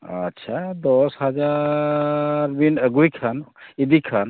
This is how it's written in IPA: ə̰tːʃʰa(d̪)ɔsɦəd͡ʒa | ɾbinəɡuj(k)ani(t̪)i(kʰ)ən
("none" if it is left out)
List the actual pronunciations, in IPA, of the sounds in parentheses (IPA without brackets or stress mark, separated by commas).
d̪, kʰ, d̪, kʰ